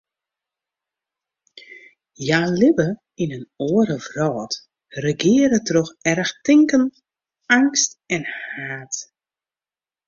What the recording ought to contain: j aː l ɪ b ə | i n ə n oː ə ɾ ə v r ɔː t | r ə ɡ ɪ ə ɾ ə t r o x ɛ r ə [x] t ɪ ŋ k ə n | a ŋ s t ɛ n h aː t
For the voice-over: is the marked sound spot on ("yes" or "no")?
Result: yes